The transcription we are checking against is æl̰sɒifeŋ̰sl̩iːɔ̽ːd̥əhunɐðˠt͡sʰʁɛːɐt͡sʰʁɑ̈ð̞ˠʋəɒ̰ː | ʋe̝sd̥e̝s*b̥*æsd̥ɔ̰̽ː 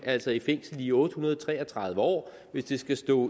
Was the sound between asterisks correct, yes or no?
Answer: no